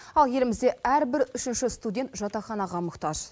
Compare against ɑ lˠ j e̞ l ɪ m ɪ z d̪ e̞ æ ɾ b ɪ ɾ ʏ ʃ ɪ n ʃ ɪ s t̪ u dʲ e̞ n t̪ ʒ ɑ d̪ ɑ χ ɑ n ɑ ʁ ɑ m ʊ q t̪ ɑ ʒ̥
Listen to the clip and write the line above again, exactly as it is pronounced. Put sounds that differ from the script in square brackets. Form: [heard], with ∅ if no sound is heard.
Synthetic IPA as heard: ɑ lˠ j e̞ l ɪ m ɪ z d̪ e̞ æ ɾ b ɪ ɾ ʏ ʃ ɪ n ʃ ɪ s t̪ u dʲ e̞ n t̪ ʒ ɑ [t̪] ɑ χ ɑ n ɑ ʁ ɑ m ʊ q t̪ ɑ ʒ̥